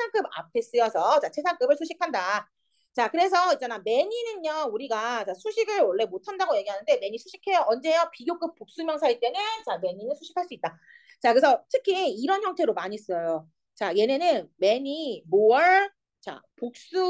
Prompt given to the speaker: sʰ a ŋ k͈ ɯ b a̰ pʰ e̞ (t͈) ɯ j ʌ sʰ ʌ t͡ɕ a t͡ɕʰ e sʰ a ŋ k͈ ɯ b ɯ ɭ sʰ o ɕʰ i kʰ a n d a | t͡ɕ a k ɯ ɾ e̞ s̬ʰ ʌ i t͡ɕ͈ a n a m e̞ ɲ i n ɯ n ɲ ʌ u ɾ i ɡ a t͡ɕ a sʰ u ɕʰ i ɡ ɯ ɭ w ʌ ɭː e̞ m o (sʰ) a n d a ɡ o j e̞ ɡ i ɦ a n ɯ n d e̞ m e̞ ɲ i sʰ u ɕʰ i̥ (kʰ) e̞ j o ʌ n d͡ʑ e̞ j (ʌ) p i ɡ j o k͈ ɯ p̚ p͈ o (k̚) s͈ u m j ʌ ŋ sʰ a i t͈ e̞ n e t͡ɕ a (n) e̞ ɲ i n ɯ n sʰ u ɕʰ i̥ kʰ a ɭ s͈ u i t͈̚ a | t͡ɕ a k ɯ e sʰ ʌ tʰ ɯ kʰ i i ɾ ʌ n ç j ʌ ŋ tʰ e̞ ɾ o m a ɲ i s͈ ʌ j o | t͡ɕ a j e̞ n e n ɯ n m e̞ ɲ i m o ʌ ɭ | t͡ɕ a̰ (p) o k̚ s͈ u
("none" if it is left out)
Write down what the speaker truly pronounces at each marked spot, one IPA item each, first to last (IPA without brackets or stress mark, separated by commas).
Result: s͈, tʰ, kʰ, ʌ, k̚, m, p